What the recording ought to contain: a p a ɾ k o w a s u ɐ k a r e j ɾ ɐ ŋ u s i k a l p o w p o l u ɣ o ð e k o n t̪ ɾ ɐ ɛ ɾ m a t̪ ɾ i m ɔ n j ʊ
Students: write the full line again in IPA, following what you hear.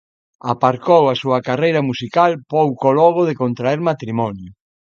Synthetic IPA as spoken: a p a ɾ k o w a s u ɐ k a r e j ɾ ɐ m u s i k a l p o w k o l ɔ ɣ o ð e k o n t̪ ɾ a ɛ ɾ m a t̪ ɾ i m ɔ n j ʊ